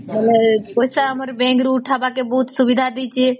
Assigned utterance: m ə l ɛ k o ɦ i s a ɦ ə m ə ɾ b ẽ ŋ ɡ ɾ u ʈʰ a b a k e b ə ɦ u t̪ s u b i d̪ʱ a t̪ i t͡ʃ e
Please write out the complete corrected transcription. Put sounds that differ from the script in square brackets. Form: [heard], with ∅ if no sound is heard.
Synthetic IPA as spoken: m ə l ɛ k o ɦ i s a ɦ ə m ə ɾ b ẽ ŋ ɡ ɾ u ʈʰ a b a k e b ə ɦ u t̪ s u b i d̪ʱ a [d̪] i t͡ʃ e